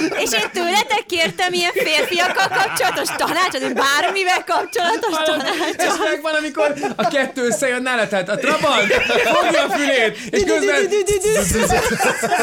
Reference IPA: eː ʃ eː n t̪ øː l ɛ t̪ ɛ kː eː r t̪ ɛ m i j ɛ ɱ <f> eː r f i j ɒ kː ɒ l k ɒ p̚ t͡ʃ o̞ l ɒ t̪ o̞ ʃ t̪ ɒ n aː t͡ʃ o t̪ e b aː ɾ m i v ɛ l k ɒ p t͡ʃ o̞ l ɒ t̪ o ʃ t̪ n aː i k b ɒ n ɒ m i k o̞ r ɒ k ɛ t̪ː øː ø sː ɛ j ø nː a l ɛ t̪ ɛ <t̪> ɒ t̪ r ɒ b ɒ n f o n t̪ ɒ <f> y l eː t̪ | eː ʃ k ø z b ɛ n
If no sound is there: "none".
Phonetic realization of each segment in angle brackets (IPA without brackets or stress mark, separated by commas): f, t̪, f